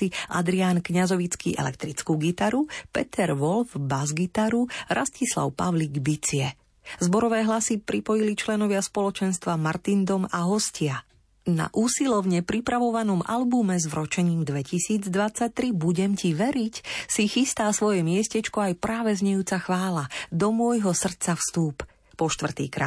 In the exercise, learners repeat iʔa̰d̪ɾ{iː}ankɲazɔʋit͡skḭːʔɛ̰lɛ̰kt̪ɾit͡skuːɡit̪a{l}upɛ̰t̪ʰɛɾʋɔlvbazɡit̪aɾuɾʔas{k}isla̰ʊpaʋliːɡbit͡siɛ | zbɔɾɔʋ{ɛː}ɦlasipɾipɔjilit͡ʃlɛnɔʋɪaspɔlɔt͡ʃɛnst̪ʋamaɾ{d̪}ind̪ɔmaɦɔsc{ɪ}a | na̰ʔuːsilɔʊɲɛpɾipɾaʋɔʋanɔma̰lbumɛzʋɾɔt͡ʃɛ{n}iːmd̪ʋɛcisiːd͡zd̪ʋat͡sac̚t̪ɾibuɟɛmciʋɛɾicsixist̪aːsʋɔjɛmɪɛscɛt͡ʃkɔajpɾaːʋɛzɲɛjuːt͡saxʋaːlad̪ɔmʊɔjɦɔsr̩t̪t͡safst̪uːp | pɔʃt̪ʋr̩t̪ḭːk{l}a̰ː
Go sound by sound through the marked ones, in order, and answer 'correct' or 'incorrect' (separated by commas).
incorrect, incorrect, incorrect, correct, incorrect, correct, incorrect, incorrect